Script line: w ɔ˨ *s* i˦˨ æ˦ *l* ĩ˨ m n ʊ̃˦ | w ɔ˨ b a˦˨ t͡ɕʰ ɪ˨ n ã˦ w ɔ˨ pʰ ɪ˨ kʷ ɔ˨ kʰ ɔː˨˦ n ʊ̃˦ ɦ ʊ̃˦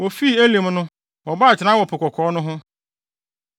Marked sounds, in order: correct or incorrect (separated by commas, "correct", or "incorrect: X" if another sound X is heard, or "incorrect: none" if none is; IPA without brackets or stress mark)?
incorrect: f, correct